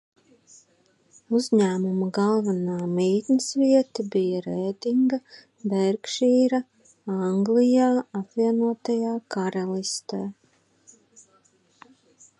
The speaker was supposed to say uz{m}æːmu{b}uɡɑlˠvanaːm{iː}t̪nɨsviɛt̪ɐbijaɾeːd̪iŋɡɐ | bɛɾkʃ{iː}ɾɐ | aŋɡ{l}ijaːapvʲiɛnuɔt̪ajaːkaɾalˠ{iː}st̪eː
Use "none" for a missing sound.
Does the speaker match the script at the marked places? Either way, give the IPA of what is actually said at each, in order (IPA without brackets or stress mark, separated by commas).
ɲ, m, iː, iː, l, i